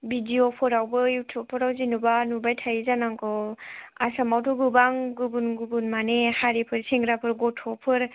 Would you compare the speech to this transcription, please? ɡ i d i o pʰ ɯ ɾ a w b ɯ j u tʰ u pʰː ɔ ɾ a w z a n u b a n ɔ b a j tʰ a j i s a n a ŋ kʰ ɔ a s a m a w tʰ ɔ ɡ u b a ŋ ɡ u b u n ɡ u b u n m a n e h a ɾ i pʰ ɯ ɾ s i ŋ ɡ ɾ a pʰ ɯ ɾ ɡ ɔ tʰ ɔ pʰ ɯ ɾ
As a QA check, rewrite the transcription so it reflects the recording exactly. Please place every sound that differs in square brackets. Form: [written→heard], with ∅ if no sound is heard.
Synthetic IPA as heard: [ɡ→b] i d i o pʰ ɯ ɾ a w b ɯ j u tʰ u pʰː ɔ ɾ a w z [a→i] n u b a n [ɔ→u] b a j tʰ a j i [s→z] a n a ŋ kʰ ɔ a s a m a w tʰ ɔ ɡ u b a ŋ ɡ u b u n ɡ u b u n m a n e h a ɾ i pʰ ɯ ɾ s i ŋ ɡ ɾ a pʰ ɯ ɾ ɡ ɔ tʰ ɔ pʰ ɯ ɾ